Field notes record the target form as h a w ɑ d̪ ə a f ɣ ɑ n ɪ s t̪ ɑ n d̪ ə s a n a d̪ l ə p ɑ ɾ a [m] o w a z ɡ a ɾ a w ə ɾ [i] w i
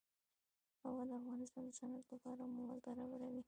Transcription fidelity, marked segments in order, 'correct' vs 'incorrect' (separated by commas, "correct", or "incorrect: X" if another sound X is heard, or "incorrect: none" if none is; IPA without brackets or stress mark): correct, incorrect: a